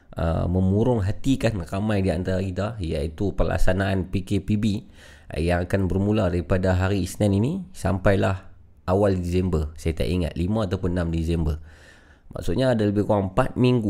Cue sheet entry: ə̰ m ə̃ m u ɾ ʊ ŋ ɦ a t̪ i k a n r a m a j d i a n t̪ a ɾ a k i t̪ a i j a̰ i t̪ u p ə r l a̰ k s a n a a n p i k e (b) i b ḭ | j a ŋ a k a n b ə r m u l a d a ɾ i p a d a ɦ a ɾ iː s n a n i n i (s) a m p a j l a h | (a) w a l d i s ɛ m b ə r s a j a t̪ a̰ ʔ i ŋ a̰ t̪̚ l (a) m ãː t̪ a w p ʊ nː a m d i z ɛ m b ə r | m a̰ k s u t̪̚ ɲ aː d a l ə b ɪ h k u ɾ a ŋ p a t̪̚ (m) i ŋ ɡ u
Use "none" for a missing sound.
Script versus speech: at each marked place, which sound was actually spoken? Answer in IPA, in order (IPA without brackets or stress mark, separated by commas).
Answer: p, s, a, i, m